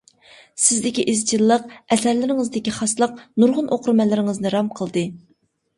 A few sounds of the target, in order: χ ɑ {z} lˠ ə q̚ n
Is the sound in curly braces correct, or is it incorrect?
incorrect